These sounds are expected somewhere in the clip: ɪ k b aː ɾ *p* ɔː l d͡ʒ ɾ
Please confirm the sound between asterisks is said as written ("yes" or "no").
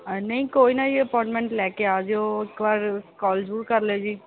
no